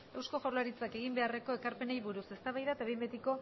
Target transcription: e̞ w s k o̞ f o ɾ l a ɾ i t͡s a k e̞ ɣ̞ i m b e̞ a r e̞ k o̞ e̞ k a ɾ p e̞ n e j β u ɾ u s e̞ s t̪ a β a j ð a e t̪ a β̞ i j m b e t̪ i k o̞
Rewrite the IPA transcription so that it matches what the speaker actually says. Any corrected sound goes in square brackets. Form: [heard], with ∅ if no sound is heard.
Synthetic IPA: e̞ w s k o̞ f o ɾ l a ɾ i t͡s a k e̞ ɣ̞ i m b e̞ a r e̞ k o̞ e̞ k a ɾ p e̞ n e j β u ɾ u s e̞ s t̪ a β a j ð a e t̪ a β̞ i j m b e t̪ i k o̞